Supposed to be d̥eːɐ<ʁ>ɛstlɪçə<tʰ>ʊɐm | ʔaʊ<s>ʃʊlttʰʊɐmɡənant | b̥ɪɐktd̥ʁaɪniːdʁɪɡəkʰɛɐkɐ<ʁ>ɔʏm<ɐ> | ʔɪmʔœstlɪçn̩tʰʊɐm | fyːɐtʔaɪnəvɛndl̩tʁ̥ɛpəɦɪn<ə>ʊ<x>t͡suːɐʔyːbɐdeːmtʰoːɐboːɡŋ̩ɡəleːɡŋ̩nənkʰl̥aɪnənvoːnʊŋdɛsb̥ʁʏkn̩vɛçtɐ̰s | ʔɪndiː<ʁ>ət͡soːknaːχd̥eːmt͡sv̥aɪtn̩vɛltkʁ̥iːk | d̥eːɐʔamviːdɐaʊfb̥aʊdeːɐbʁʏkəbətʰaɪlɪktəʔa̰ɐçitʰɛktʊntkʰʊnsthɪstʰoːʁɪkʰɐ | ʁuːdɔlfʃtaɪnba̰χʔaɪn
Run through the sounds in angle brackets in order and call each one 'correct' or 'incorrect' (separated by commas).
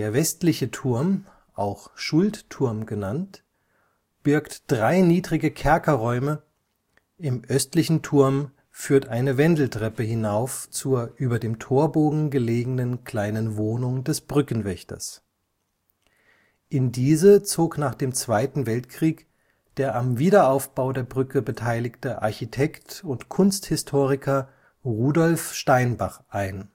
incorrect, correct, incorrect, correct, incorrect, incorrect, incorrect, incorrect